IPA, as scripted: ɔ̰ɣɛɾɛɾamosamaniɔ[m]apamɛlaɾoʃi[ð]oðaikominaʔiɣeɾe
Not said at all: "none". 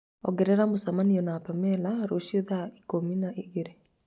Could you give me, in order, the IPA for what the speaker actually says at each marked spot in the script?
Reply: n, none

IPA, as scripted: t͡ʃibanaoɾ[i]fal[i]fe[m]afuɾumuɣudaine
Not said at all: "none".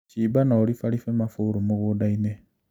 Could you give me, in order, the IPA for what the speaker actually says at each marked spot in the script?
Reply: i, i, m

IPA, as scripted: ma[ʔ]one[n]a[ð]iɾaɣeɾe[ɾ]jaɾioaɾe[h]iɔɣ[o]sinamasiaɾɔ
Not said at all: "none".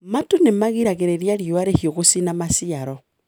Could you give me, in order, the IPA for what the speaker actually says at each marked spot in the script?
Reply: t, m, ɣ, ɾ, h, o

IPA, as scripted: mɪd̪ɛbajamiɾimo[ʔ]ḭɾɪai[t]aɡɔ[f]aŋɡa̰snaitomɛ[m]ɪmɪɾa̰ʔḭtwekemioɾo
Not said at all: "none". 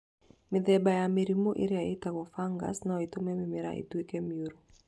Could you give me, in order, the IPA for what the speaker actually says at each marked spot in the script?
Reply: ʔ, t, f, m

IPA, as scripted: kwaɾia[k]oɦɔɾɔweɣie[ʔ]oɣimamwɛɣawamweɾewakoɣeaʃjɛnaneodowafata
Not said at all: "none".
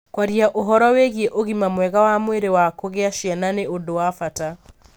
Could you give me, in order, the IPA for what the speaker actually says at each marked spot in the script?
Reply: ʔ, ʔ

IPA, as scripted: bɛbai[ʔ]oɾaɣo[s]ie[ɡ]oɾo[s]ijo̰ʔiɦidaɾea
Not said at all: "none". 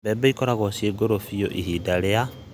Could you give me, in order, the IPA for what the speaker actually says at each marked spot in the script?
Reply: k, s, ɡ, f

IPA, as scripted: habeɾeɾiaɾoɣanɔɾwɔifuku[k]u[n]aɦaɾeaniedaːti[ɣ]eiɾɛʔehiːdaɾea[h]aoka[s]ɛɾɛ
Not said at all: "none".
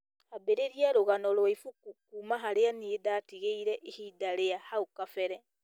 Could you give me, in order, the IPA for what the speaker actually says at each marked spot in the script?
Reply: k, m, ɣ, h, f

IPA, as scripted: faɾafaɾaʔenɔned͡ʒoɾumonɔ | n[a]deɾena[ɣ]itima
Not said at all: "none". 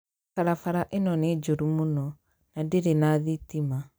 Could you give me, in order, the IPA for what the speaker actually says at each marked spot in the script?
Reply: a, ð

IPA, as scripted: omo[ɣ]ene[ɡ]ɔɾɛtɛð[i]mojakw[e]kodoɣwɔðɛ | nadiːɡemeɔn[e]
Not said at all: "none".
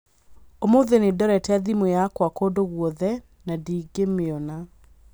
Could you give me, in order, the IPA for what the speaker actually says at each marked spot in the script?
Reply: ð, d, i, a, a

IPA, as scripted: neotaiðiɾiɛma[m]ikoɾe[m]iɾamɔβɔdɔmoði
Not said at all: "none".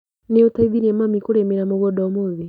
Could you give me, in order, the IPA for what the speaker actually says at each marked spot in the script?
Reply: m, m

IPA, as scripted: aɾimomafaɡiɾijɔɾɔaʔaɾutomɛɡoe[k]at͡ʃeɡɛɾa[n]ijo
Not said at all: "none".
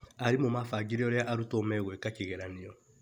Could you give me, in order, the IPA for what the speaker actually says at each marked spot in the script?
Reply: k, n

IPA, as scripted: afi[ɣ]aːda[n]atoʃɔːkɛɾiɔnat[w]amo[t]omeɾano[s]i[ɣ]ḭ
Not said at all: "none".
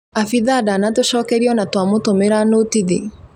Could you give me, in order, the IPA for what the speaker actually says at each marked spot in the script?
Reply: ð, n, w, t, t, ð

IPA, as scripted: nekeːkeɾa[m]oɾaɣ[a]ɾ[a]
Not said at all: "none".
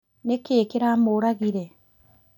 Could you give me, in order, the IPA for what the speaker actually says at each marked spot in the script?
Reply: m, i, e

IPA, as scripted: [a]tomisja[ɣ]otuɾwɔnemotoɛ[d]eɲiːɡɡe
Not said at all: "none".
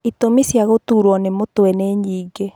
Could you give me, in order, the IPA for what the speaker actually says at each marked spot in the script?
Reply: i, ɣ, n

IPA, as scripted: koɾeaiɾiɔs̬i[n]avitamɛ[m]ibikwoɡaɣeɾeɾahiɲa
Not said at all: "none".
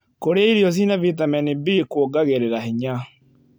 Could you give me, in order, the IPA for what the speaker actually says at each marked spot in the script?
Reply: n, n

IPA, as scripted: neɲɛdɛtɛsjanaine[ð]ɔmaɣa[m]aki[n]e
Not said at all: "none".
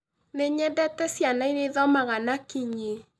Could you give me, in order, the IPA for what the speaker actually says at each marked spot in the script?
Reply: ð, n, ɲ

